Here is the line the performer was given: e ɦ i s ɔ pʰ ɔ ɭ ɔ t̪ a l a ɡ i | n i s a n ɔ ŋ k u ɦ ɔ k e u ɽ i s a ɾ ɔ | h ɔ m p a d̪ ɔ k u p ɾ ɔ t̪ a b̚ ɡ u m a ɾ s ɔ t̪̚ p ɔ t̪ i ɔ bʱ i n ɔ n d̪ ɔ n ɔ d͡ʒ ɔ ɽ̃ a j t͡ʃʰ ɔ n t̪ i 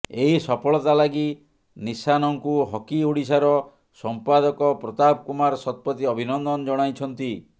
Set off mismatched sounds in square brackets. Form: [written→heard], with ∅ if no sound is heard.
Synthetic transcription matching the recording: e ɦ i s ɔ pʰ ɔ ɭ ɔ t̪ a l a ɡ i | n i s a n ɔ ŋ k u ɦ ɔ k [e→i] u ɽ i s a ɾ ɔ | [h→s] ɔ m p a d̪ ɔ k [u→ɔ] p ɾ ɔ t̪ a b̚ [ɡ→k] u m a ɾ s ɔ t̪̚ p ɔ t̪ i ɔ bʱ i n ɔ n d̪ ɔ n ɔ d͡ʒ ɔ ɽ̃ a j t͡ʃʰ ɔ n t̪ i